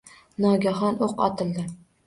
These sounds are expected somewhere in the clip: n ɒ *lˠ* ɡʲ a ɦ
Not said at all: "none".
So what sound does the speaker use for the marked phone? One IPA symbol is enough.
none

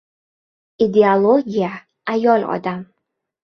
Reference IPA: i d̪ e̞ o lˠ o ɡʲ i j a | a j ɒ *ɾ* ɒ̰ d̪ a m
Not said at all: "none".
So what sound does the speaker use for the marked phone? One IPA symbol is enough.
l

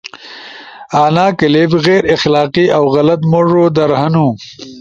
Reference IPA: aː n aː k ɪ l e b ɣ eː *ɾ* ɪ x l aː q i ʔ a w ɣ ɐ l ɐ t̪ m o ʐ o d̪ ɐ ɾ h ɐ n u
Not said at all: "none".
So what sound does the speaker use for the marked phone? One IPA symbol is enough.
ɾ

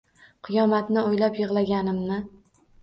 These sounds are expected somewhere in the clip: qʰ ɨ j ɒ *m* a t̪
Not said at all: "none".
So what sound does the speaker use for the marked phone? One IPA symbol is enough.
m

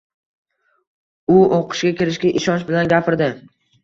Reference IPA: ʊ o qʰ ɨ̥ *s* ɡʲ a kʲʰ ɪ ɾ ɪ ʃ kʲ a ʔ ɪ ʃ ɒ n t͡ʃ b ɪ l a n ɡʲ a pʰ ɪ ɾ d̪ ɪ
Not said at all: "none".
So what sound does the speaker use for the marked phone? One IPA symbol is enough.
ʃ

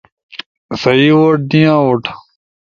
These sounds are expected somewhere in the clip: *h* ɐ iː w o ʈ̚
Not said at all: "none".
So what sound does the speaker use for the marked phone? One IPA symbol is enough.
s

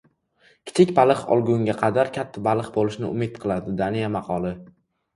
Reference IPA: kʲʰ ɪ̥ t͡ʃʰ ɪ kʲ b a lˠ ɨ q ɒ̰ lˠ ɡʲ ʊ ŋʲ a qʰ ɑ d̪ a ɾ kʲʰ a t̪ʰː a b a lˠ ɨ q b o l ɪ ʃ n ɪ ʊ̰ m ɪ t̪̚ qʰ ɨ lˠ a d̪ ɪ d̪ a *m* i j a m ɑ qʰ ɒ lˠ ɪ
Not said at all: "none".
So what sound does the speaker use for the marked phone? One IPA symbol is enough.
n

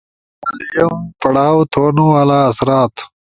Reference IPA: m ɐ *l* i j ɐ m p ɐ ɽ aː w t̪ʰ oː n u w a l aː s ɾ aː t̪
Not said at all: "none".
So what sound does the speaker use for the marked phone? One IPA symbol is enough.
l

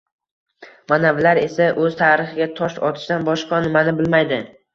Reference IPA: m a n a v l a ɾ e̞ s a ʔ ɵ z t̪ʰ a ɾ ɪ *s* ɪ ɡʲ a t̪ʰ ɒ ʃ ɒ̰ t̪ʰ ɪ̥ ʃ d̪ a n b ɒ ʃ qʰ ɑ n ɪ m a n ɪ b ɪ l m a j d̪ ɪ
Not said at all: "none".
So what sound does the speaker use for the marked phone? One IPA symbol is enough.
χ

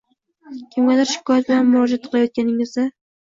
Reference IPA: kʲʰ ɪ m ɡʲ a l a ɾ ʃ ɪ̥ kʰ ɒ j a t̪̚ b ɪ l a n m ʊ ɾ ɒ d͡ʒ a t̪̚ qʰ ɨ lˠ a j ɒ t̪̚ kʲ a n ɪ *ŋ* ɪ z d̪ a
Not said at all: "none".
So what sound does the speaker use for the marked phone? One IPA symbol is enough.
ŋ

